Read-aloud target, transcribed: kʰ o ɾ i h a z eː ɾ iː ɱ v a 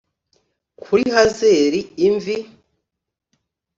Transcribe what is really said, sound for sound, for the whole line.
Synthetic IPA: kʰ u ɾ i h a z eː ɾ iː ɱ v i